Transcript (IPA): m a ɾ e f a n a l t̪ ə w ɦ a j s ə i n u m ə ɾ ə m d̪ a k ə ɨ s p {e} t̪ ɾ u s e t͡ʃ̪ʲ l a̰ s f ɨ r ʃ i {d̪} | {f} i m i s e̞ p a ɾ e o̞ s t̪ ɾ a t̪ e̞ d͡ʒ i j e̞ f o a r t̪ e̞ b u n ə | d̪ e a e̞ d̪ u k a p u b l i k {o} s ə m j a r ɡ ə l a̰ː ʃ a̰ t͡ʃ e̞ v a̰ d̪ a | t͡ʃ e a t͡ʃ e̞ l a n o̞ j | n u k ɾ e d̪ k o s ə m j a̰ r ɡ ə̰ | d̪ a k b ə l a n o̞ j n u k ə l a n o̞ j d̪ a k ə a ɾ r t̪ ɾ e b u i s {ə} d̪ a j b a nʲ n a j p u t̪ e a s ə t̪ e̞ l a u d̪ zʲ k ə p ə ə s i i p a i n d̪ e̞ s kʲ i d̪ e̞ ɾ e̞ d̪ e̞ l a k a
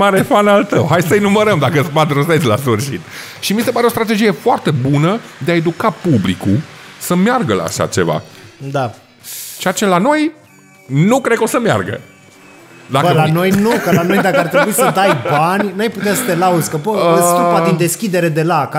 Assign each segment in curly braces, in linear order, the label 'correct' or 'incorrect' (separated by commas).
incorrect, incorrect, incorrect, incorrect, correct